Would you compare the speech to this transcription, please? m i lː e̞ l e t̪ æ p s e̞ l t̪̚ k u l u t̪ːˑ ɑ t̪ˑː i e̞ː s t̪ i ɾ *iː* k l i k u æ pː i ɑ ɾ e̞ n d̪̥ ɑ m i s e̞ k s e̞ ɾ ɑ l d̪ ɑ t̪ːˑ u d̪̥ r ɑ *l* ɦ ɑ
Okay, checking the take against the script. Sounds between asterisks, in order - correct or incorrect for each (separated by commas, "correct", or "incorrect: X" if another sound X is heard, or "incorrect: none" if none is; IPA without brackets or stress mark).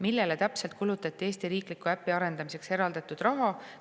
correct, incorrect: none